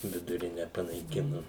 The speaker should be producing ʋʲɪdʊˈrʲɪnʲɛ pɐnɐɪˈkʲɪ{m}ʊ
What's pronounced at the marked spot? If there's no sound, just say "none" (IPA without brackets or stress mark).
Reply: n